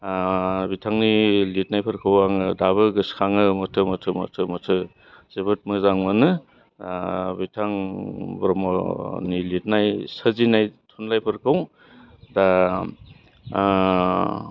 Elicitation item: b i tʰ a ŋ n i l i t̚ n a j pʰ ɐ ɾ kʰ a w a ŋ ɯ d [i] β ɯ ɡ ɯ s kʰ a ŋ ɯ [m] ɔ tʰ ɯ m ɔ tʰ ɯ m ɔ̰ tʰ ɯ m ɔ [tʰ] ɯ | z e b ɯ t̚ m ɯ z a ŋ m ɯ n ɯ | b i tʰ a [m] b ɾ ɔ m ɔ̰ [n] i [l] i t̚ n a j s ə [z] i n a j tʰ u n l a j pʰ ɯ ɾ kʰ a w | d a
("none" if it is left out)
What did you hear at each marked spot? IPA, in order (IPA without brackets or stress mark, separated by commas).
a, m, tʰ, ŋ, n, l, z